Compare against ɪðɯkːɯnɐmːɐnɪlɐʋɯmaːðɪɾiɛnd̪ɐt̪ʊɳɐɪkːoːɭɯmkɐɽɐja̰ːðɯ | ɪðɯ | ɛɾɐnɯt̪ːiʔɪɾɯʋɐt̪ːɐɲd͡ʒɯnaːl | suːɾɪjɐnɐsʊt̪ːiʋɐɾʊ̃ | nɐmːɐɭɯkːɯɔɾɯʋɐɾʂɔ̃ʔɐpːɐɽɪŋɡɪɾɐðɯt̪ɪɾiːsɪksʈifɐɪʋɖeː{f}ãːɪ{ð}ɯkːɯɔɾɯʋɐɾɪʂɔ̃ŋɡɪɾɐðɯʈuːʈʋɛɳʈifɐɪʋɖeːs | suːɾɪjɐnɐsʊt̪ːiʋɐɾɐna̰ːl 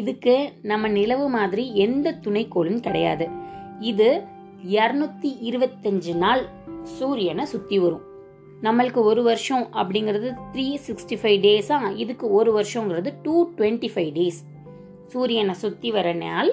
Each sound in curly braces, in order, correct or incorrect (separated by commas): incorrect, correct